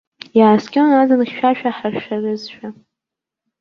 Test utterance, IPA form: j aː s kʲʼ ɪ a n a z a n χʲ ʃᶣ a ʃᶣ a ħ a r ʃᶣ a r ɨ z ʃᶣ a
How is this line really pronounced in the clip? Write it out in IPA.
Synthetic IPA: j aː s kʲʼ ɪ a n a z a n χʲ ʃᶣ a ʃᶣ a ħ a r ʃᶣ a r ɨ z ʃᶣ a